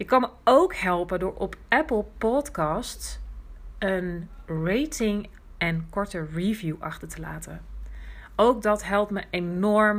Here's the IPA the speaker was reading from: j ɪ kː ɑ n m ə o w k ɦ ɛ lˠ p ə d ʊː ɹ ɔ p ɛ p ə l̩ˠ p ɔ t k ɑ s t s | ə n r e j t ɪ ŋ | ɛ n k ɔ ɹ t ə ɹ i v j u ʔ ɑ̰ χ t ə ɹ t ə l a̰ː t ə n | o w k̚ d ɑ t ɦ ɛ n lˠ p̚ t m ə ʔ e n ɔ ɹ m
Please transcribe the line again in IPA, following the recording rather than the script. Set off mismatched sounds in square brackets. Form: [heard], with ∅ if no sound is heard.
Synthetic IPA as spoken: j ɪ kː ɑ n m ə o w k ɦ ɛ lˠ p ə d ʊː ɹ ɔ p ɛ p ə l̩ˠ p ɔ t k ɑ s t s | ə n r e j t ɪ ŋ | ɛ n k ɔ ɹ t ə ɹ i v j u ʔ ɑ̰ χ t ə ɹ t ə l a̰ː t ə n | o w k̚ d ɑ t ɦ ɛ [∅] lˠ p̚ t m ə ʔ e n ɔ ɹ m